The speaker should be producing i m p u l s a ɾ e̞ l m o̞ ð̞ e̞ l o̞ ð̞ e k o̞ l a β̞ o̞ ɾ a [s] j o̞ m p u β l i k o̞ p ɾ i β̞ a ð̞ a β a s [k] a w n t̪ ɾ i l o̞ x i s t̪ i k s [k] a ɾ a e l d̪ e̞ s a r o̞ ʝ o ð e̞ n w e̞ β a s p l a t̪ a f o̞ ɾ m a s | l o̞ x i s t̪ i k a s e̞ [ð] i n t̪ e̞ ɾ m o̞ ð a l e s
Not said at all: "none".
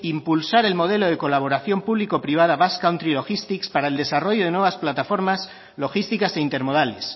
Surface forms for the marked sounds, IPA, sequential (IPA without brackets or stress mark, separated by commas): θ, k, p, none